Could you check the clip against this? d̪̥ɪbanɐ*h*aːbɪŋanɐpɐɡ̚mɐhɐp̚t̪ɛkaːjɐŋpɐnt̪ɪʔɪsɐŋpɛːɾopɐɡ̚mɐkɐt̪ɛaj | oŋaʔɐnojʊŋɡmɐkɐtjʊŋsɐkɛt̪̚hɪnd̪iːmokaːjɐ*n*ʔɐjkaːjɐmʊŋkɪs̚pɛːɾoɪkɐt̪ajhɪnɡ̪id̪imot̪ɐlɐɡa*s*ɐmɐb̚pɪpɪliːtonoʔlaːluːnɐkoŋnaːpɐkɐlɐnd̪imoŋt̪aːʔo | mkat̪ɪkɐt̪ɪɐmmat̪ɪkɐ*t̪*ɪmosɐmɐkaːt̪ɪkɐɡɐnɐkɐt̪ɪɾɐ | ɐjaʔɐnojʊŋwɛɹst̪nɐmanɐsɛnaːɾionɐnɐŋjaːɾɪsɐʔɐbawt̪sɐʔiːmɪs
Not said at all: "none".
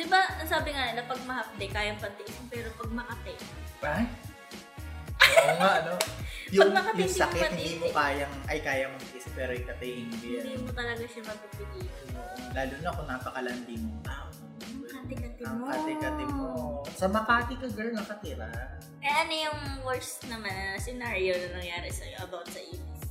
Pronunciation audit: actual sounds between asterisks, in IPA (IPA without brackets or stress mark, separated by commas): s, ŋ, ʃ, t̪